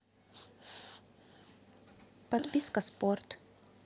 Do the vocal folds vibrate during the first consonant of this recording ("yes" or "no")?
no